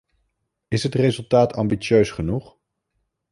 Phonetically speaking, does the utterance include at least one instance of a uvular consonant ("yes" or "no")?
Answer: yes